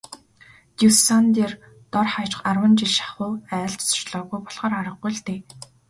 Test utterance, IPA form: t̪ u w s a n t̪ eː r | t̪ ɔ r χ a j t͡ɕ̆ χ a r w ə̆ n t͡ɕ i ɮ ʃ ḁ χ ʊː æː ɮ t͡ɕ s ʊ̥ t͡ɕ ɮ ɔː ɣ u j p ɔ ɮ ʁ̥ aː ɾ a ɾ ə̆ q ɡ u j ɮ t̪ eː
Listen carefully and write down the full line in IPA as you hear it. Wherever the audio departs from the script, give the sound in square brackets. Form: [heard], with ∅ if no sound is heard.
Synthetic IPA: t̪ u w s a n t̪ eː r | t̪ ɔ r χ a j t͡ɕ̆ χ a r w ə̆ n t͡ɕ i ɮ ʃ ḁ χ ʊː æː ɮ t͡ɕ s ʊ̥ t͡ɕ ɮ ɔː ɣ u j p ɔ ɮ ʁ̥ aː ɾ a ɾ ə̆ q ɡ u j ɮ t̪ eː